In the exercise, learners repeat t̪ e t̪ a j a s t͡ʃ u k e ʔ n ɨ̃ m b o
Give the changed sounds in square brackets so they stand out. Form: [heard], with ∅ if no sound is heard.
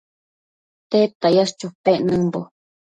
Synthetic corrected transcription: t̪ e t̪ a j a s t͡ʃ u [p] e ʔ n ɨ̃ m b o